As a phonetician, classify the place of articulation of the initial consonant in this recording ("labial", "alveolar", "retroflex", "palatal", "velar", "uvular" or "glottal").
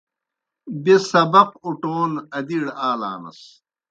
labial